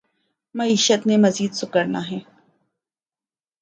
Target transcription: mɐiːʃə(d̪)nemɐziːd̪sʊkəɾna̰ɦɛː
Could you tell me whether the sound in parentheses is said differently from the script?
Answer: yes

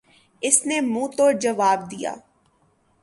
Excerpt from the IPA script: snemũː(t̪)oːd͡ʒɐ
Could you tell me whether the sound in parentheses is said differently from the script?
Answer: no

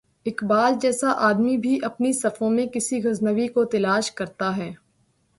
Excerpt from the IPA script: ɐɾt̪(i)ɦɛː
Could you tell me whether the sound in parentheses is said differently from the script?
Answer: yes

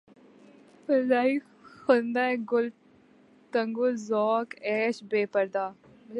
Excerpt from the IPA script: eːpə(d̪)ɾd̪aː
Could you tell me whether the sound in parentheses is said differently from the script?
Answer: yes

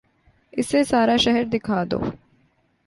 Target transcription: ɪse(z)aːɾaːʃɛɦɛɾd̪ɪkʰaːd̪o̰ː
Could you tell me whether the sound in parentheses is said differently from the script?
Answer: yes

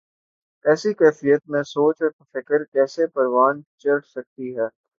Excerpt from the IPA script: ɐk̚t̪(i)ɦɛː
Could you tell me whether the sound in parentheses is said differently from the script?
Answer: no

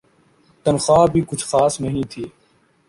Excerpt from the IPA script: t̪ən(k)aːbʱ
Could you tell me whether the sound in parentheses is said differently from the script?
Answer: yes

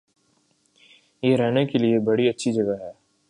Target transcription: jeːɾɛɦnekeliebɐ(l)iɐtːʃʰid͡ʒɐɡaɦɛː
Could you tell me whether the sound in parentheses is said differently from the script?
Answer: yes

